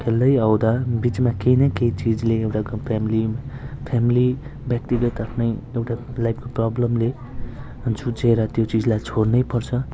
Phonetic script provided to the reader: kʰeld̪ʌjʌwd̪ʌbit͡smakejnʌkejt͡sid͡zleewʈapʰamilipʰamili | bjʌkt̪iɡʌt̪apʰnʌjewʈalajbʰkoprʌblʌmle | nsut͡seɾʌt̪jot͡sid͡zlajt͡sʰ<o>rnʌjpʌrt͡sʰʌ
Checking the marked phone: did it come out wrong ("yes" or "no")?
no